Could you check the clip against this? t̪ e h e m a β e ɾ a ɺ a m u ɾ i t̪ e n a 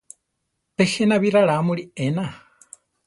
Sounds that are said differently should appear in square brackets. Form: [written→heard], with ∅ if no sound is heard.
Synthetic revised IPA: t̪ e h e [m→n] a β [e→i] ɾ a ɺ a m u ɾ i [t̪→∅] e n a